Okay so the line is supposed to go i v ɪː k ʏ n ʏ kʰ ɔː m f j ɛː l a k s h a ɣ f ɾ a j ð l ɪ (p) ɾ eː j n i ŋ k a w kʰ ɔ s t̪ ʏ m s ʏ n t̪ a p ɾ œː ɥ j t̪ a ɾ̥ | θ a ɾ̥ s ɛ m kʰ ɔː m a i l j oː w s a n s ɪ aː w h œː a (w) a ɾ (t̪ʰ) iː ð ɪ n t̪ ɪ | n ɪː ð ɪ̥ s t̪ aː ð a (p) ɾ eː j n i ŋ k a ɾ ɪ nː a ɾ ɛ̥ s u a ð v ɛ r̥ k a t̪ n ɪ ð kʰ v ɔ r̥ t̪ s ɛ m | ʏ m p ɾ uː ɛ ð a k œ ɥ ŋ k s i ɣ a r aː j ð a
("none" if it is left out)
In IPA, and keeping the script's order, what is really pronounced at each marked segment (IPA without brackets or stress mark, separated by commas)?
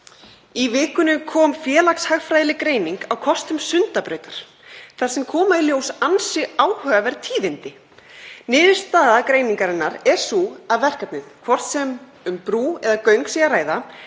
k, v, t̪ʰ, k